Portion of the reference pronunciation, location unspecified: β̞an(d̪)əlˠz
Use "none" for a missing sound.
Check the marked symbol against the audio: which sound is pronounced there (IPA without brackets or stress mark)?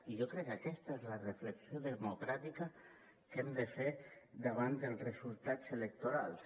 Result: d̪